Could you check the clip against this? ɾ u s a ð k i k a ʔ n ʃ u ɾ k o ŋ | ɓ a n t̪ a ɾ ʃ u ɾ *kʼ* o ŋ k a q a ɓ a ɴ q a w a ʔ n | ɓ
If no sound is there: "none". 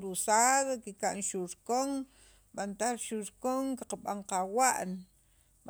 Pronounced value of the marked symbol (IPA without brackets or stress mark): k